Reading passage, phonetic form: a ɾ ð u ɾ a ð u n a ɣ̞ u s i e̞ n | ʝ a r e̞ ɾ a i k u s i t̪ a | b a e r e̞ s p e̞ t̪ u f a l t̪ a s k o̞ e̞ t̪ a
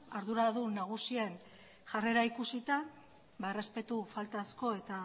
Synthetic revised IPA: a ɾ ð u ɾ a ð u n a ɣ̞ u s i e̞ n | ʝ a r e̞ ɾ a i k u s i t̪ a | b a e r e̞ s p e̞ t̪ u f a l t̪ a s k o̞ e̞ t̪ a